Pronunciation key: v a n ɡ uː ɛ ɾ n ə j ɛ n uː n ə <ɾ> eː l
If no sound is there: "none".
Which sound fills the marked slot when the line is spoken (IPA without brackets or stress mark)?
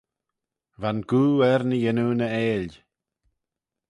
none